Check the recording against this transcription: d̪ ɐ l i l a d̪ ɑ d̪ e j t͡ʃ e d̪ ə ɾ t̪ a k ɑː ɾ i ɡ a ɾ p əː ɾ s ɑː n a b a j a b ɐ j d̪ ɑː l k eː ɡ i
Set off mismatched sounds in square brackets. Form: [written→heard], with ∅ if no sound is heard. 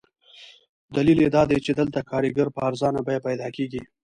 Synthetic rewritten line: d̪ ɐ l i l [a→e] d̪ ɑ d̪ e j t͡ʃ e d̪ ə [ɾ→l] t̪ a k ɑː ɾ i ɡ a ɾ p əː ɾ [s→z] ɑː n a b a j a [b→p] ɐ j d̪ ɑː [l→∅] k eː ɡ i